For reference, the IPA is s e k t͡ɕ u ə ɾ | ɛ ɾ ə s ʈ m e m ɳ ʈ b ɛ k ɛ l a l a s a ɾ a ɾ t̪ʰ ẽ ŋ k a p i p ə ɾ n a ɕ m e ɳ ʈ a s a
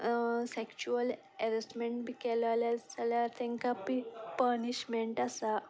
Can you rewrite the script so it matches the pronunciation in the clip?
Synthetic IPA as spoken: s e k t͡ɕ u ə l | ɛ ɾ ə s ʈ m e ɳ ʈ b i k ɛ l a l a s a l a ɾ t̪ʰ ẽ ŋ k a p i p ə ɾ n i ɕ m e ɳ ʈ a s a